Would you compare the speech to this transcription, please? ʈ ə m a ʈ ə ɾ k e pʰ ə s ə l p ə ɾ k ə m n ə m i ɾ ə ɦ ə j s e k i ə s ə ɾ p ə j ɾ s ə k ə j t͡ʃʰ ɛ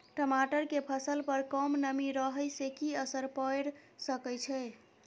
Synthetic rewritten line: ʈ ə m a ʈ ə ɾ k e pʰ ə s ə l p ə ɾ k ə m n ə m i ɾ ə ɦ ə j s e k i ə s ə ɾ p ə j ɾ s ə k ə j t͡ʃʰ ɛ